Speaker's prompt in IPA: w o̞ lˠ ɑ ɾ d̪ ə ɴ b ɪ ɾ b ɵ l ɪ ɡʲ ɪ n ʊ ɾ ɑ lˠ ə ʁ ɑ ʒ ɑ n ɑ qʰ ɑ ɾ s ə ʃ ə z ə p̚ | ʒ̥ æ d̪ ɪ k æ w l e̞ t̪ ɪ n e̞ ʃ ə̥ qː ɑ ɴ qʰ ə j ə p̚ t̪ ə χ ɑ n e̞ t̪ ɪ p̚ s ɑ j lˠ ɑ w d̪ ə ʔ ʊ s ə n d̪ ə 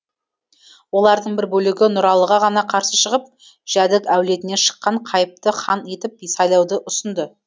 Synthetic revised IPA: w o̞ lˠ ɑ ɾ d̪ ə ɴ b ɪ ɾ b ɵ l ɪ ɡʲ ɪ n ʊ ɾ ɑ lˠ ə ʁ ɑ ʁ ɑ n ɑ qʰ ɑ ɾ s ə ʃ ə ʁ ə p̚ | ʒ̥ æ d̪ ɪ k æ w l e̞ t̪ ɪ n e̞ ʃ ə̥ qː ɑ ɴ qʰ ɑ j ə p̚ t̪ ə χ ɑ n e̞ t̪ ɪ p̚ s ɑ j lˠ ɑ w d̪ ə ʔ ʊ s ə n d̪ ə